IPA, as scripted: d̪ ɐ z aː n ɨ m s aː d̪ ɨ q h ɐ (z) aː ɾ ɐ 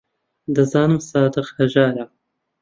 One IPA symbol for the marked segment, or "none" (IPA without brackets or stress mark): ʒ